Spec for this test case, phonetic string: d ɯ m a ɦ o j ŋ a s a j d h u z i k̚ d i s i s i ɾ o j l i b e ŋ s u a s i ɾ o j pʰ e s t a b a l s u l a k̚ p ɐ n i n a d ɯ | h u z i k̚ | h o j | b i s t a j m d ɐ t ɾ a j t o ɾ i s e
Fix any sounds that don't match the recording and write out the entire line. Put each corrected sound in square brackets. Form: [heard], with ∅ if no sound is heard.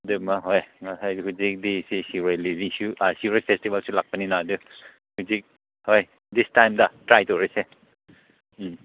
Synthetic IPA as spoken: d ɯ m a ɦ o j ŋ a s a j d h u z i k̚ d i s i s i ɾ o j l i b [i] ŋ s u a s i ɾ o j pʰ e s t [i] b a l s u l a k̚ p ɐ n i n a d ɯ | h u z i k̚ | h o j | [d] i s t a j m d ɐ t ɾ a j t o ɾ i s e